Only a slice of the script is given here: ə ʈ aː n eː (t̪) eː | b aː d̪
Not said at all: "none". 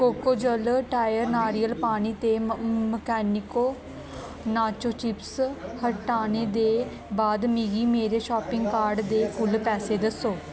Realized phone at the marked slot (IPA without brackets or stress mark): d̪